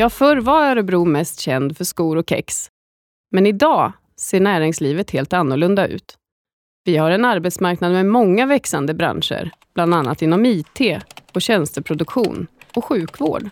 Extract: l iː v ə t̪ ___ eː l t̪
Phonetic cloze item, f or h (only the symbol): h